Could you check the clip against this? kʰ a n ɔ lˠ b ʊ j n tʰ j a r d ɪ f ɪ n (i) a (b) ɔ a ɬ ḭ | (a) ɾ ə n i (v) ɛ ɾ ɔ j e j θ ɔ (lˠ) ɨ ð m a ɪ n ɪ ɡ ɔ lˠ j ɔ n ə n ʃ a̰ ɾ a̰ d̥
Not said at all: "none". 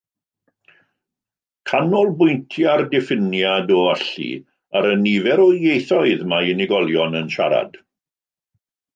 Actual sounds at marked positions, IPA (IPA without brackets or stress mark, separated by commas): j, d, a, v, none